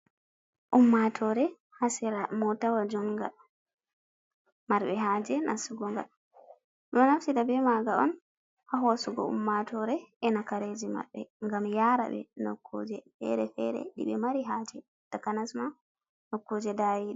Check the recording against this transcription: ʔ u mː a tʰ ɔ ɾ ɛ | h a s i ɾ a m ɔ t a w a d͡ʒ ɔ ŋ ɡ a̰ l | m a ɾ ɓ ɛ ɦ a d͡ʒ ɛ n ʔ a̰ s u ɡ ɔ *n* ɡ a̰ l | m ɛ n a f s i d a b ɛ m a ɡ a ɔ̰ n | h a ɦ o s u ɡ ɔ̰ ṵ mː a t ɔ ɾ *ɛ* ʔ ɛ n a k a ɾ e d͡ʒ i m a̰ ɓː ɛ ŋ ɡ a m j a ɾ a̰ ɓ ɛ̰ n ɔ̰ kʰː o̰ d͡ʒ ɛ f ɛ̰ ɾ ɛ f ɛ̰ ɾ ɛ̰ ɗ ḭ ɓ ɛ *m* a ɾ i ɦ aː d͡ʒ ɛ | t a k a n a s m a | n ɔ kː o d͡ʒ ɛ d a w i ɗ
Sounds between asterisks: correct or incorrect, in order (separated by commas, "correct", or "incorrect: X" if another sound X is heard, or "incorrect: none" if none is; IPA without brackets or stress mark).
incorrect: ŋ, correct, correct